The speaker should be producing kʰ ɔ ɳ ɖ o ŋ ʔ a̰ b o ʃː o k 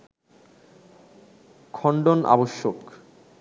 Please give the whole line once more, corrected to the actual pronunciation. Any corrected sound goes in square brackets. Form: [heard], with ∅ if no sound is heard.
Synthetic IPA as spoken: kʰ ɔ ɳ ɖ o [n] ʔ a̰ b o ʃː o k